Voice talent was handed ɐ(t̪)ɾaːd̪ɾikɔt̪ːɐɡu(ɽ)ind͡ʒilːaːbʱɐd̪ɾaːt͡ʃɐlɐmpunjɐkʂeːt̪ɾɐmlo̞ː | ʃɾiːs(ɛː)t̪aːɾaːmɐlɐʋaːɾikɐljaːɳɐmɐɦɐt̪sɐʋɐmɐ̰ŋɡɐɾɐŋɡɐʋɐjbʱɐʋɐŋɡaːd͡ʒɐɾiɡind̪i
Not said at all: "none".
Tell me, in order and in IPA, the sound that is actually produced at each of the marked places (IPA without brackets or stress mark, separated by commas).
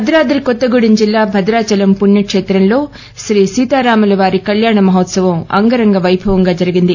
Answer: d̪, ɽ, iː